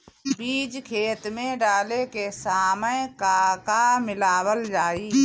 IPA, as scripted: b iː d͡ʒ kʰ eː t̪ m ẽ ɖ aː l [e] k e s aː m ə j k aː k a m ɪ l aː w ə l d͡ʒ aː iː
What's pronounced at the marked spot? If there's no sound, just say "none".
e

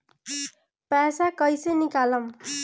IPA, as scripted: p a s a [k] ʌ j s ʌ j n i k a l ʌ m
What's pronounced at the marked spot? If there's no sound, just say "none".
k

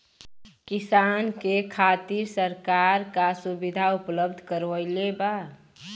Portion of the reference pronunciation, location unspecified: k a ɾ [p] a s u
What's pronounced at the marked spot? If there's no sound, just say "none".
k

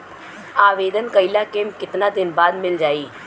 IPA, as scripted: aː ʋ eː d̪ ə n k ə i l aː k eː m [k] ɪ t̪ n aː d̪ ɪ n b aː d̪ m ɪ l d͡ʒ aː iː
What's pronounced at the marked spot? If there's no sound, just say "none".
k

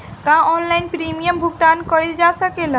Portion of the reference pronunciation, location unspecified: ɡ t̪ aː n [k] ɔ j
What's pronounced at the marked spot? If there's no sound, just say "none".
k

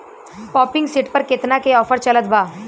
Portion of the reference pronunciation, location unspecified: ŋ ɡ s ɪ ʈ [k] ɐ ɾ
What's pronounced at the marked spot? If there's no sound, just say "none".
p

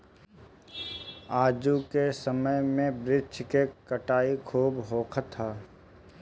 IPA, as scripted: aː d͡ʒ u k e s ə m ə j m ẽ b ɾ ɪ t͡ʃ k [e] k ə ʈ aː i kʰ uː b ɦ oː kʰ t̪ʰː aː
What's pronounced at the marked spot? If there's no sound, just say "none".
e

